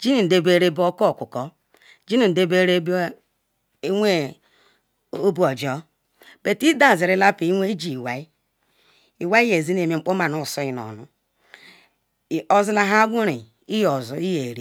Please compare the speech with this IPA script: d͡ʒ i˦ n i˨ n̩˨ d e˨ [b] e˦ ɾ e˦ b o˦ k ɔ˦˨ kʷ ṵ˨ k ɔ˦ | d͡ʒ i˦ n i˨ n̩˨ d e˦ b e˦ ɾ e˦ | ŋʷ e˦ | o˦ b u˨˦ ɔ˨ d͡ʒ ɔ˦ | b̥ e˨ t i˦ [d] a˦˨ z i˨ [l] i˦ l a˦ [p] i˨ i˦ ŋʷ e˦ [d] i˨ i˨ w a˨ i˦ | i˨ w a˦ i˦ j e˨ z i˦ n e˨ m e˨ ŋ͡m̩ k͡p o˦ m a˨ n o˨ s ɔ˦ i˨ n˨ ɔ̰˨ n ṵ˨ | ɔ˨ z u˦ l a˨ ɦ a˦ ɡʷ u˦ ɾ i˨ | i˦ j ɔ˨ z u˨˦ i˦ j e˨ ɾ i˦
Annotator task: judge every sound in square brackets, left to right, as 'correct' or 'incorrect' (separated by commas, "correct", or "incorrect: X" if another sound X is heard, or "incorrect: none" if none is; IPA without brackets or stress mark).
correct, correct, incorrect: ɾ, correct, incorrect: d͡ʒ